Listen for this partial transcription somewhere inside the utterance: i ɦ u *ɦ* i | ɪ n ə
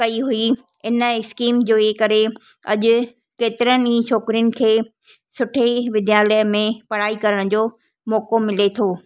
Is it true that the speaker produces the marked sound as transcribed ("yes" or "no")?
no